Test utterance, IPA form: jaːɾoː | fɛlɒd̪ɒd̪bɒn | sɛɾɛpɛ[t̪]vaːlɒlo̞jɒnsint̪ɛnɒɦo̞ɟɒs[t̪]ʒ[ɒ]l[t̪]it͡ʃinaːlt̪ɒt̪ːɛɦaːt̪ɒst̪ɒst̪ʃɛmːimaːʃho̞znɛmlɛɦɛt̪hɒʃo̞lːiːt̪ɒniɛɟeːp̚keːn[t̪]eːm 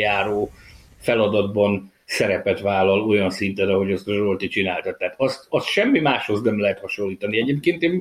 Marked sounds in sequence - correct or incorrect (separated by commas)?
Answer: correct, correct, incorrect, correct, correct